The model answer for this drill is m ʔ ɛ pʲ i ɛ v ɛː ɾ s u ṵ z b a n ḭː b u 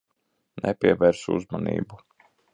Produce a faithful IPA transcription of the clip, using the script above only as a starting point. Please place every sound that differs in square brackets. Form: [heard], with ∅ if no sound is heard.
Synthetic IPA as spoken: [n] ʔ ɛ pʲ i ɛ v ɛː ɾ s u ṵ z [m] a n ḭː b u